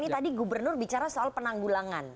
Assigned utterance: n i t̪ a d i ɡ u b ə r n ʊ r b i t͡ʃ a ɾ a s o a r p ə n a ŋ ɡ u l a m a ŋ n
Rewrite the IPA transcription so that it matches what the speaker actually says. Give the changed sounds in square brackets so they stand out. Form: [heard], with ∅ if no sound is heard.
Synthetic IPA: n i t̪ a d i ɡ u b ə r n ʊ r b i t͡ʃ a ɾ a s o a [l] p ə n a ŋ ɡ u l a [ŋ] a [∅] n